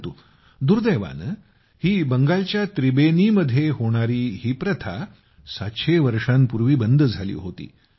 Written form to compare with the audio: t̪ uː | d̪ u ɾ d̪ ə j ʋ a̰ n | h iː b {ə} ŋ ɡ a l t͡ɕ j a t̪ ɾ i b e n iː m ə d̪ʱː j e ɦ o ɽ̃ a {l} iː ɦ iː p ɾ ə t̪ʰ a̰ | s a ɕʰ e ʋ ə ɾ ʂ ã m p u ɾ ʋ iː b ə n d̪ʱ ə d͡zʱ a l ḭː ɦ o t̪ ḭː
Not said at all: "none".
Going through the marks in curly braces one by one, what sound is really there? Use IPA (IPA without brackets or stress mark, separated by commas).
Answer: ə, ɾ